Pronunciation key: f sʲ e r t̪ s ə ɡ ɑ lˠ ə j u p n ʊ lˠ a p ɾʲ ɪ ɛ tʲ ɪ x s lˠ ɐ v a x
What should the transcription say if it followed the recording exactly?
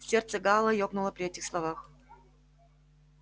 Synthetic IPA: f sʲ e r t̪ s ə ɡ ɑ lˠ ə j o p n ʊ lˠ ə p ɾʲ ɪ ɛ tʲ ɪ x s lˠ ɐ v a x

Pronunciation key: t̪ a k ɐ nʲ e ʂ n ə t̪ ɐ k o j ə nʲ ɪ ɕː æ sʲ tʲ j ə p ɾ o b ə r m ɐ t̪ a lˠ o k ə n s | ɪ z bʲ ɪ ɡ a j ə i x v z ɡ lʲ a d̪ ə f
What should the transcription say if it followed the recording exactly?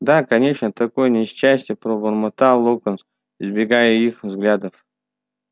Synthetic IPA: d̪ a k ɐ nʲ e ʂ n ə t̪ ɐ k o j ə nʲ ɪ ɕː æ sʲ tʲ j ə p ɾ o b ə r m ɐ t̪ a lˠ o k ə n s | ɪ z bʲ ɪ ɡ a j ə i x v z ɡ lʲ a d̪ ə f

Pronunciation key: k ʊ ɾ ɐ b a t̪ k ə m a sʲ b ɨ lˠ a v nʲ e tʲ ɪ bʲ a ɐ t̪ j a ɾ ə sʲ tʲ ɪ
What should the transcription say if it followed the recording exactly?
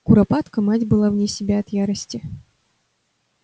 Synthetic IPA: k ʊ ɾ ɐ p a t̪ k ə m a tʲ b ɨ lˠ a v nʲ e sʲ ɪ bʲ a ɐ t̪ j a ɾ ə sʲ tʲ ɪ

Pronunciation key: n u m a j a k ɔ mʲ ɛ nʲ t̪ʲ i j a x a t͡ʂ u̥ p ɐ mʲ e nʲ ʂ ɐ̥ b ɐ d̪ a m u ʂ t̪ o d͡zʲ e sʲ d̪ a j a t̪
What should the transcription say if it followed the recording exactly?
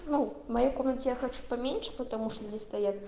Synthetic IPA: n u m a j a k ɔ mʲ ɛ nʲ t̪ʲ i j a x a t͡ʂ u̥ p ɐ mʲ e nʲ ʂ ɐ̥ p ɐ t̪ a m u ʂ t̪ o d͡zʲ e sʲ t̪ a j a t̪

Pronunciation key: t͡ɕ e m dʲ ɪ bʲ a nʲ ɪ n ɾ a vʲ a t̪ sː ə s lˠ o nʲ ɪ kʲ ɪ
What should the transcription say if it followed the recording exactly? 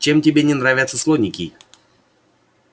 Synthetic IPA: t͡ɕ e m tʲ ɪ bʲ e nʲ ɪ n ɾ a vʲ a t̪ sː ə s lˠ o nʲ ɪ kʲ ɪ

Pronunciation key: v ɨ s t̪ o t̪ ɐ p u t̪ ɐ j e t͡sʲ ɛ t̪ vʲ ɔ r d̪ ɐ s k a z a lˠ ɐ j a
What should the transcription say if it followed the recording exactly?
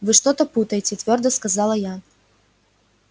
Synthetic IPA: v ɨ ʂ t̪ ɔ t̪ ɐ p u t̪ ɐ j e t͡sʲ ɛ t̪ vʲ ɔ r d̪ ɐ s k a z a lˠ ɐ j a

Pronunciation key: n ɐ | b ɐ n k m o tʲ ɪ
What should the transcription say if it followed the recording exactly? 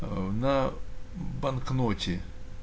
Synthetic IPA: n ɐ | b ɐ n k n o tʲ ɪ

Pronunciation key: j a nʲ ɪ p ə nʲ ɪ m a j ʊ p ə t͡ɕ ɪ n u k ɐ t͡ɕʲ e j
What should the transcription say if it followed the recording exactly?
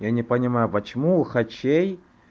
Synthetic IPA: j a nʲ ɪ p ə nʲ ɪ m a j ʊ p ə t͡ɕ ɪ m u x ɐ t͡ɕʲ e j

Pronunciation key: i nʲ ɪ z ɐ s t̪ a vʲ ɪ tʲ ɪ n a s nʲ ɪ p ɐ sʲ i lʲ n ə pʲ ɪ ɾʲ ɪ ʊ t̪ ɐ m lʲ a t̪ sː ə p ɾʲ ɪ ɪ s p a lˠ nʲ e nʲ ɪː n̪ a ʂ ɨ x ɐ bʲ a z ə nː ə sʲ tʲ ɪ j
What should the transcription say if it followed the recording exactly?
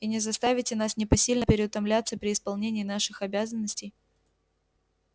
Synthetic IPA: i nʲ ɪ z ɐ s t̪ a vʲ ɪ tʲ ɪ n a s nʲ ɪ p ɐ sʲ i lʲ n ə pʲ ɪ ɾʲ ɪ ʊ t̪ ɐ m lʲ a t̪ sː ə p ɾʲ ɪ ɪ s p ɐ lˠ nʲ e nʲ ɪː n̪ a ʂ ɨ x ɐ bʲ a z ə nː ə sʲ tʲ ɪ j

